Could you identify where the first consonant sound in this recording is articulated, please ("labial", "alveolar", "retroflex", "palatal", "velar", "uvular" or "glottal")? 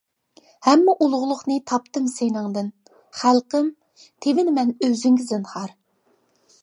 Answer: glottal